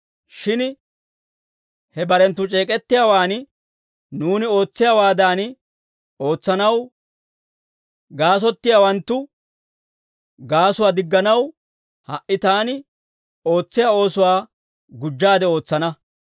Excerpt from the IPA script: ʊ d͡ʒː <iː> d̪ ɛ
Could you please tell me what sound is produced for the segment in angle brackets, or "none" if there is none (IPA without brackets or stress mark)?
aː